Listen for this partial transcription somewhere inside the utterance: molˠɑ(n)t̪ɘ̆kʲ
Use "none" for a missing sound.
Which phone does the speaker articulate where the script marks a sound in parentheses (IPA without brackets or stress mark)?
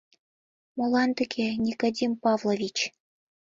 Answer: n